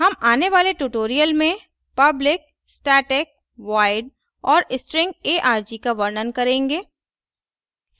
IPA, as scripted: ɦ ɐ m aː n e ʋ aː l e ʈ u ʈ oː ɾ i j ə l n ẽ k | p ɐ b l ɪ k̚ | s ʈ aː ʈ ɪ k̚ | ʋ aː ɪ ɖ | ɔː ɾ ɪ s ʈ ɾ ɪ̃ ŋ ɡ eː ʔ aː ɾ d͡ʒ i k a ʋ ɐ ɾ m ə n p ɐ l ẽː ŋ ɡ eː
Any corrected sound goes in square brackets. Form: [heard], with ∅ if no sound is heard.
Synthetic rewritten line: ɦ ɐ m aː n e ʋ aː l e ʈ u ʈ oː ɾ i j ə l [m] ẽ [∅] | p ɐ b l ɪ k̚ | s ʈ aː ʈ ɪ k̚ | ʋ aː ɪ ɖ | ɔː ɾ ɪ s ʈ ɾ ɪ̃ ŋ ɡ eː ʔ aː ɾ d͡ʒ i k a ʋ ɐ ɾ [n] ə n [k] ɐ [ɾ] ẽː ŋ ɡ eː